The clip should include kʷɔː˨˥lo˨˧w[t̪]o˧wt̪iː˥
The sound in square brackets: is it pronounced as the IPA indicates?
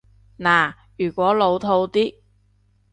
no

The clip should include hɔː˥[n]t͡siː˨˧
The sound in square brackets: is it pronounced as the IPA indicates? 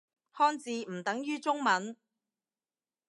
yes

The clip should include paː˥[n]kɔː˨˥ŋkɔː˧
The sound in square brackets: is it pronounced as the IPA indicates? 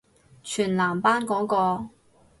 yes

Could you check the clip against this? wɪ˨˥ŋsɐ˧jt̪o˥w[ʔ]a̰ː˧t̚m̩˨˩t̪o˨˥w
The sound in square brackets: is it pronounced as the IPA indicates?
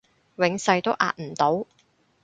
yes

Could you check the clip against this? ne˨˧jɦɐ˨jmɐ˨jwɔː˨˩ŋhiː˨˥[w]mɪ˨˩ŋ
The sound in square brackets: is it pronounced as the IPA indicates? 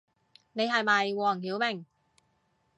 yes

